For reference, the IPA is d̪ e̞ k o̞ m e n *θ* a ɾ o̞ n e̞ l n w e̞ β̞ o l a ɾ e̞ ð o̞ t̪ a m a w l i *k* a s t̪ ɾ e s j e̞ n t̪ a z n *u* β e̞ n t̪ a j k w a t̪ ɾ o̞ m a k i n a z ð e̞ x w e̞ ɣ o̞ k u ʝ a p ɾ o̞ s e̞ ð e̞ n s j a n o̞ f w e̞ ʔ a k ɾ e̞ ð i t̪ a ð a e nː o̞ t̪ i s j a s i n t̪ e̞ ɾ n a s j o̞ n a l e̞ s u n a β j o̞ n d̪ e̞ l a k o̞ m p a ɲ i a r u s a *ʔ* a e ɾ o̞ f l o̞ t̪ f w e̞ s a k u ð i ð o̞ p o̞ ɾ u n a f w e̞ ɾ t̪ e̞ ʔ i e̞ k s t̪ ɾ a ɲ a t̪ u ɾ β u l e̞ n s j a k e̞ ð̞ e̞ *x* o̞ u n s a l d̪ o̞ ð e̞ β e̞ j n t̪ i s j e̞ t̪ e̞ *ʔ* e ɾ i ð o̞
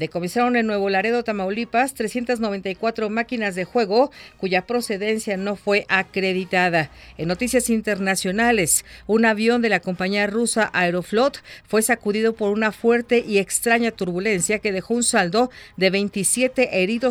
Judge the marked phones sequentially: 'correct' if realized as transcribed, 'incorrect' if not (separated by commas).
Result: incorrect, incorrect, incorrect, correct, correct, correct